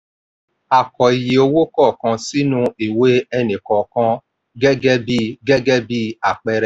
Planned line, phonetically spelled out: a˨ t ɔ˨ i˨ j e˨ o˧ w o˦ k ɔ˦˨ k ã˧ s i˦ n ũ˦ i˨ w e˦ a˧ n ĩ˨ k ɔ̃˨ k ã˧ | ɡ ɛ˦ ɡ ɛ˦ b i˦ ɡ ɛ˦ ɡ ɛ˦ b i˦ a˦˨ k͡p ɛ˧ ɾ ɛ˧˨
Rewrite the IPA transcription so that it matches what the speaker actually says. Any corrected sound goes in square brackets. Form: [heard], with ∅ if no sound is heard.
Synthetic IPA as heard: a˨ [k] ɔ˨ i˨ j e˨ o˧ w o˦ k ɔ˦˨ k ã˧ s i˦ n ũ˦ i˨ w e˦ [ɛ˧] n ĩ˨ k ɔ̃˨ k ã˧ | ɡ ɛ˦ ɡ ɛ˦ b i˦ ɡ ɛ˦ ɡ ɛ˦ b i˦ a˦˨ k͡p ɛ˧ ɾ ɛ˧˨